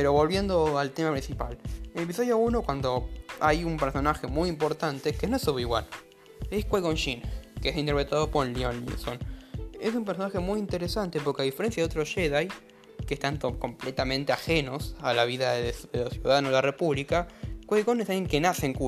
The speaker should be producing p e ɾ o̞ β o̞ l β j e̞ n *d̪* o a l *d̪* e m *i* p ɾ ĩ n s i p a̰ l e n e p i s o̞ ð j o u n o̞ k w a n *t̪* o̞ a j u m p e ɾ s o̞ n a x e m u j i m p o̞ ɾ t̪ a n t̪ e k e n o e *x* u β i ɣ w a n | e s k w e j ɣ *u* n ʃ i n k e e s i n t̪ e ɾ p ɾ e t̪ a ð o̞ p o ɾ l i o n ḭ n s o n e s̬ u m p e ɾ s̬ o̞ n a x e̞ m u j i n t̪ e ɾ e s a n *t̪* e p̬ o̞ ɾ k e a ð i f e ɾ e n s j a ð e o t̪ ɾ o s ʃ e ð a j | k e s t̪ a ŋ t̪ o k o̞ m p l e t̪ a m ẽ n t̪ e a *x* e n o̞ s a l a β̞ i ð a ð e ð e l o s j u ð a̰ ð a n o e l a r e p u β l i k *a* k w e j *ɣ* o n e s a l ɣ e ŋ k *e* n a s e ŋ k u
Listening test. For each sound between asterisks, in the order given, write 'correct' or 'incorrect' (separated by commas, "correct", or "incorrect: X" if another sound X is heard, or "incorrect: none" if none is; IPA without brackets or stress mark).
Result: correct, incorrect: t̪, incorrect: a, incorrect: d̪, incorrect: s, incorrect: o, correct, correct, correct, correct, correct